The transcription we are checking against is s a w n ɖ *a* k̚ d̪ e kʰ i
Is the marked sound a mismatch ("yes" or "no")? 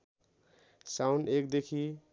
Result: yes